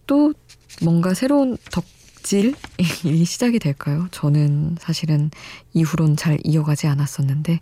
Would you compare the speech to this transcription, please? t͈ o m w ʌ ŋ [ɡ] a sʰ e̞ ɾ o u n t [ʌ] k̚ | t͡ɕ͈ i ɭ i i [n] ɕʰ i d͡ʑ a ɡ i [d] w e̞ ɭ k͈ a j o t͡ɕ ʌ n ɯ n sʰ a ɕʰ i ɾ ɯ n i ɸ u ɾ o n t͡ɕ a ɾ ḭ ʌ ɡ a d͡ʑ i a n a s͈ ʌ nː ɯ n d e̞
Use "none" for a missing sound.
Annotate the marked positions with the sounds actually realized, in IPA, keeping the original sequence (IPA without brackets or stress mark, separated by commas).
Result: ɡ, ʌ, none, d